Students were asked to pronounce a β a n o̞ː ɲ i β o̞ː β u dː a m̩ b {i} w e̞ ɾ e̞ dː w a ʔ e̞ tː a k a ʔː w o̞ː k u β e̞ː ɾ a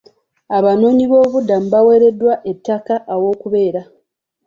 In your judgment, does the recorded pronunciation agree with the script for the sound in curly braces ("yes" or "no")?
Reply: no